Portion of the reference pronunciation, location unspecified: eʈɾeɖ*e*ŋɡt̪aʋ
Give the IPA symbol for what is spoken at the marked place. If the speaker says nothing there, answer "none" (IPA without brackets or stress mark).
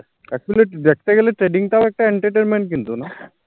i